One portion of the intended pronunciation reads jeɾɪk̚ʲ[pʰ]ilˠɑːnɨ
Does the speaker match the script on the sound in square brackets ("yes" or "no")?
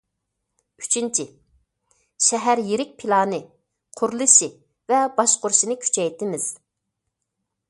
yes